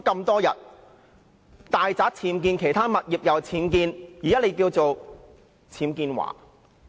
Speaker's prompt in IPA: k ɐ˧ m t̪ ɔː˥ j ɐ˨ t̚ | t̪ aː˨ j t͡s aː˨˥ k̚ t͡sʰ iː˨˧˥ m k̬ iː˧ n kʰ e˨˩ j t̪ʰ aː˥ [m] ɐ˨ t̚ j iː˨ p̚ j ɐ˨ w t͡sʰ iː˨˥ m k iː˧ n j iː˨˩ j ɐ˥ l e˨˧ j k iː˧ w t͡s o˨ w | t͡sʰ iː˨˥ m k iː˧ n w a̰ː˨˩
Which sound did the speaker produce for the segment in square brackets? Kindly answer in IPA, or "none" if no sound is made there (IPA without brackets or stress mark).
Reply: m